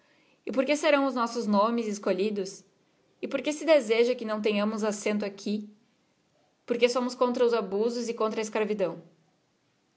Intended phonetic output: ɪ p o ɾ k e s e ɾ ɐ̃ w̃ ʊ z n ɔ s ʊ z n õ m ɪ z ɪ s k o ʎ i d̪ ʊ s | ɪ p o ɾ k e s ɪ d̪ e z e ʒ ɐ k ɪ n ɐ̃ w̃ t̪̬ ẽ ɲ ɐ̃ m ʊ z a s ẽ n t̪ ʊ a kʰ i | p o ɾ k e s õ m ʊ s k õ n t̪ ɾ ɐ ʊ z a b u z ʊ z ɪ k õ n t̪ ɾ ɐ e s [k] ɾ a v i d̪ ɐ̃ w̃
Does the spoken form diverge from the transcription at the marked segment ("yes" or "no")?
no